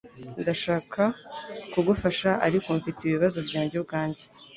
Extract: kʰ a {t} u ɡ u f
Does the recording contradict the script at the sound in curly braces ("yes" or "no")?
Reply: yes